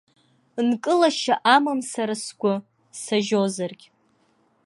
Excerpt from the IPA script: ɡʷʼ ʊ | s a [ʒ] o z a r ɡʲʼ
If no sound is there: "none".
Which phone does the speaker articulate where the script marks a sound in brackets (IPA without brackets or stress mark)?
ʒ